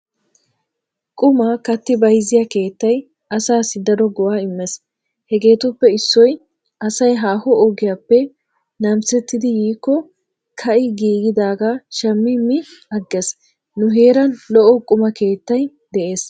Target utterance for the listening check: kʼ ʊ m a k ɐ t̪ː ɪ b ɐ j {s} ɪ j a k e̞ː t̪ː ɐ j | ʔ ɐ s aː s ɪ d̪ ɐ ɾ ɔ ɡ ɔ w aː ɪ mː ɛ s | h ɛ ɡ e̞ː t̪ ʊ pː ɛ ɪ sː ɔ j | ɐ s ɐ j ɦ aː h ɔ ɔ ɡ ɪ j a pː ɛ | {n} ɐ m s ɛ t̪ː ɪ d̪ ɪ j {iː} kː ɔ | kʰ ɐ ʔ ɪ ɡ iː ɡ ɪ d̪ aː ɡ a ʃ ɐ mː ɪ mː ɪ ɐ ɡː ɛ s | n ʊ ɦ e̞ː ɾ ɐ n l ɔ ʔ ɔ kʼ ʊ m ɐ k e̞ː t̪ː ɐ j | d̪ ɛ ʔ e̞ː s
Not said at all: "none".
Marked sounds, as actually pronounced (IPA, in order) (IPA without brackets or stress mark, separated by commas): z, n, iː